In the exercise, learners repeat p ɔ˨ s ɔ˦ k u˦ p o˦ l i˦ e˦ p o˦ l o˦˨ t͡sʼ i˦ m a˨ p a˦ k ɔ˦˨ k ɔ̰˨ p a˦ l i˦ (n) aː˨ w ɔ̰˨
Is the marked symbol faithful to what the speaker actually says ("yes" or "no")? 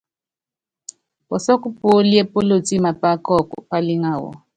no